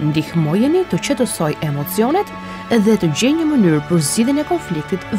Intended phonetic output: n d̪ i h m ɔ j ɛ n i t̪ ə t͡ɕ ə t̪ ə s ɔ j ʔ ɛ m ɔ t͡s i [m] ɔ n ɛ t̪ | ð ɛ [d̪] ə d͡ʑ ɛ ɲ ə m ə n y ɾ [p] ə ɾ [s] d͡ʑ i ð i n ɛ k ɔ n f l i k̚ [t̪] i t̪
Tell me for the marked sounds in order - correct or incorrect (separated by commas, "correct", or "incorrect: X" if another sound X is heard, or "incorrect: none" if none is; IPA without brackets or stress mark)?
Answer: incorrect: none, incorrect: t̪, correct, incorrect: z, correct